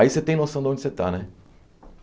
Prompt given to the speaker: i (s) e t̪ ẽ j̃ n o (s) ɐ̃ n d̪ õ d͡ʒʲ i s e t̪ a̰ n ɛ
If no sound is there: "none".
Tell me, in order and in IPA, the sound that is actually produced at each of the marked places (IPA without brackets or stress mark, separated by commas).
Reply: s, s